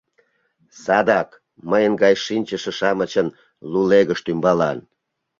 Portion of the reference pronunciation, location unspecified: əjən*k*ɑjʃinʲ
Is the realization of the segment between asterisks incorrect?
yes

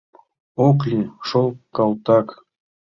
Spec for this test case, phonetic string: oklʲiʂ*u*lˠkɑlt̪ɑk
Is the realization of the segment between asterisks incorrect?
yes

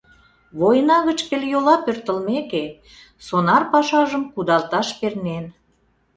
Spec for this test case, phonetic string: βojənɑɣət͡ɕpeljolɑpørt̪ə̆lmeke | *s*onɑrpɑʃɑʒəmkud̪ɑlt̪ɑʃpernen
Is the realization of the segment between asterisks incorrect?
no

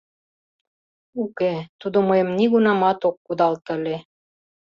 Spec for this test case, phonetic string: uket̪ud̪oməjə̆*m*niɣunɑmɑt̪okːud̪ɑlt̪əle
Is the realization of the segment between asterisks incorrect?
no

